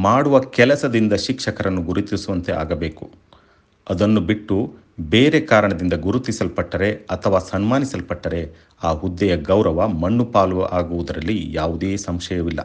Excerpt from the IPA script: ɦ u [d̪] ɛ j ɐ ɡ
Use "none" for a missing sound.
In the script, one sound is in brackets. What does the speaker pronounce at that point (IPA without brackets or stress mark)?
d̪ː